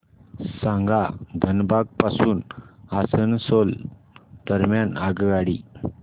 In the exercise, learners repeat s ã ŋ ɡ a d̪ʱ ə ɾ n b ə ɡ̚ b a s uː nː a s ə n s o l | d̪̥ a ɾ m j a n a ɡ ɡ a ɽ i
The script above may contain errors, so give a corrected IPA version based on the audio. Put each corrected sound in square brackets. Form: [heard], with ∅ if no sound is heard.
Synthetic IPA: s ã ŋ ɡ a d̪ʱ ə [∅] n b [a] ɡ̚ [p] a s uː [n] a s ə n s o l | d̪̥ [ə] ɾ m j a n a ɡ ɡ a ɽ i